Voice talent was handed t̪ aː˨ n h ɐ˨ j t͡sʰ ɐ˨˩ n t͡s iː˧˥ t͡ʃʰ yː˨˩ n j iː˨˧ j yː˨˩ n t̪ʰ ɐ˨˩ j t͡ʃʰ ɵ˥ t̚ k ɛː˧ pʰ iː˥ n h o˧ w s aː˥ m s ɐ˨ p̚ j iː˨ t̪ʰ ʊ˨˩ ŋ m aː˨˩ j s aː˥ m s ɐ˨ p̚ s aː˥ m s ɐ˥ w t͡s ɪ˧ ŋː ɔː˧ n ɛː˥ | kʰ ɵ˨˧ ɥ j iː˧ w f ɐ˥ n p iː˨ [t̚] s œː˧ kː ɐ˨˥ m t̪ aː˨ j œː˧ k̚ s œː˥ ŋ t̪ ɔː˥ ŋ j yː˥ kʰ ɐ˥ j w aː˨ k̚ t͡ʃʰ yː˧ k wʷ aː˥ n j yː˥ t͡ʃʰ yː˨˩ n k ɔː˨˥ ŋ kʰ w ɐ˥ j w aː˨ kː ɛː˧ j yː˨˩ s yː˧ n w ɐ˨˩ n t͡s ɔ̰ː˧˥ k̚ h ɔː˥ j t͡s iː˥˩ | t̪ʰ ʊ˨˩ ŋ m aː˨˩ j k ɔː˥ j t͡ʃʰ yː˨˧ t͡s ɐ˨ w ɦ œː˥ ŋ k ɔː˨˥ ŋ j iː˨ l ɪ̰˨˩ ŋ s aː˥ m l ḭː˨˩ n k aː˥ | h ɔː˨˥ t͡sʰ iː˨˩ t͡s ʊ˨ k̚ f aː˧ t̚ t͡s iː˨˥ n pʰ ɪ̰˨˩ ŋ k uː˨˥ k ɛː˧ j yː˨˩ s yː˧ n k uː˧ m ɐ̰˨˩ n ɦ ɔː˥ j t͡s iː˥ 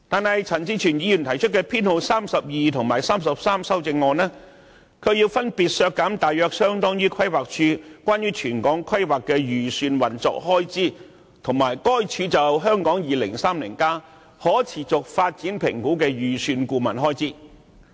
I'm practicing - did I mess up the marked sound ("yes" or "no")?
no